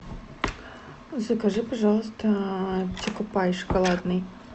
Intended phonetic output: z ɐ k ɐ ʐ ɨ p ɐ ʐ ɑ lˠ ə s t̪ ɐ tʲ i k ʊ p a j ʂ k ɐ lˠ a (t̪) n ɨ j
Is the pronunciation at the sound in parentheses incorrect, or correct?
incorrect